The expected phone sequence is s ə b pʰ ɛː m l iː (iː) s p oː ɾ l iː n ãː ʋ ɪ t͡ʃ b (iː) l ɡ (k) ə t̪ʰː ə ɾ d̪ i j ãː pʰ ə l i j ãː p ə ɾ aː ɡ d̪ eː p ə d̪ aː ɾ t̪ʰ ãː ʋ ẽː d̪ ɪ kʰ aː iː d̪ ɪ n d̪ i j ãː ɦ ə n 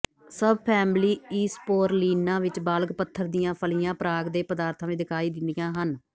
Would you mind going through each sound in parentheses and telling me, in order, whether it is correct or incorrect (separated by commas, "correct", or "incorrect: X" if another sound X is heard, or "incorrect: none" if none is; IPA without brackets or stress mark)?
correct, incorrect: aː, incorrect: p